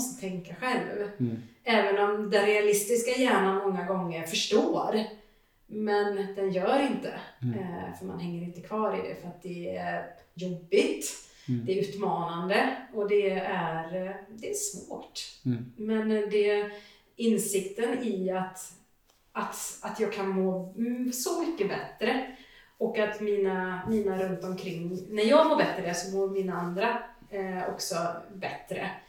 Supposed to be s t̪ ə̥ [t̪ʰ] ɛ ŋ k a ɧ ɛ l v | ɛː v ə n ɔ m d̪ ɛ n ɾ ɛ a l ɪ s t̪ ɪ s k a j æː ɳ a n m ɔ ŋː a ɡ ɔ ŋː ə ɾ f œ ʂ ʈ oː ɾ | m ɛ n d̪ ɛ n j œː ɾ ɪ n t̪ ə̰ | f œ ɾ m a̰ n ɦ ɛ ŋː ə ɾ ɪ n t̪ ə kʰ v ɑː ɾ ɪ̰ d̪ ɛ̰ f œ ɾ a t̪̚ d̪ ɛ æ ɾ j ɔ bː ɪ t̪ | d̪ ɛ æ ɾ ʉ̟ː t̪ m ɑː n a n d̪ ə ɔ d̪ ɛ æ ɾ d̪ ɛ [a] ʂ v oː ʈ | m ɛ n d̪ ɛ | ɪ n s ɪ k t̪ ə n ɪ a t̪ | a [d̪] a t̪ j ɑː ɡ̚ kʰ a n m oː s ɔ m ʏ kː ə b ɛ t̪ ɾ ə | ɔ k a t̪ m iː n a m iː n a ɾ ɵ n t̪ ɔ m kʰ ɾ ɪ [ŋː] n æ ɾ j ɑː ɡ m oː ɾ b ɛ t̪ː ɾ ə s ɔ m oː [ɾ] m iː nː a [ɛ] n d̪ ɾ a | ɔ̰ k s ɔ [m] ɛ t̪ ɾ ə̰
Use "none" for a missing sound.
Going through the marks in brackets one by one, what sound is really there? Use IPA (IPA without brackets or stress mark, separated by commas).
t̪ʰ, æ, t̪, ŋː, ɾ, a, b